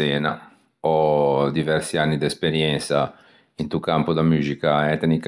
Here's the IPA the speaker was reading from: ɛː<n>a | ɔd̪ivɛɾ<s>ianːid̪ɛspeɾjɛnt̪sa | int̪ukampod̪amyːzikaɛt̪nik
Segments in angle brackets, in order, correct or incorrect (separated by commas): correct, correct